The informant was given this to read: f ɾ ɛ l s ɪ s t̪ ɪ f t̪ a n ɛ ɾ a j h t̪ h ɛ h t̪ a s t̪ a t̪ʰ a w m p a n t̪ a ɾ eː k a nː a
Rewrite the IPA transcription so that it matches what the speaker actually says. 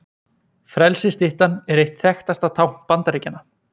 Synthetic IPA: f ɾ ɛ l s ɪ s t̪ ɪ h t̪ a n ɛ ɾ e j h t̪ θ ɛ x t̪ a s t̪ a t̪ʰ a w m p a n t̪ a ɾ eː c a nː a